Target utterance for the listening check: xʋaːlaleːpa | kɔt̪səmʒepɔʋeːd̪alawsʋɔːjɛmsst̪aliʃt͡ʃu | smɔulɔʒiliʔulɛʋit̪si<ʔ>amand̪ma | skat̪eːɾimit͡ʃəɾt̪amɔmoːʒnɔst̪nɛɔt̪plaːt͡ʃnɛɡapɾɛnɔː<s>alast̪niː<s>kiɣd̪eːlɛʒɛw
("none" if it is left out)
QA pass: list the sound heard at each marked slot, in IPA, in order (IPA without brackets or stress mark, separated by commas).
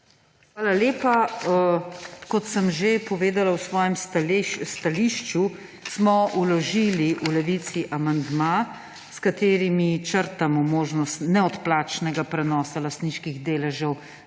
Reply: ʔ, s, ʃ